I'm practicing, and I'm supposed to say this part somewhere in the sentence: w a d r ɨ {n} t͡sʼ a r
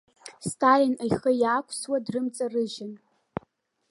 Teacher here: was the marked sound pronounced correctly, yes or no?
no